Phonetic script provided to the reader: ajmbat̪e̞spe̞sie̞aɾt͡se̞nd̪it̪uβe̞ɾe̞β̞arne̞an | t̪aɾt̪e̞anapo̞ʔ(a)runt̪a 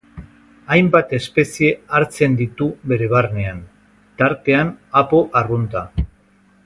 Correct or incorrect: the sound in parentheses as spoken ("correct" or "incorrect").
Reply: correct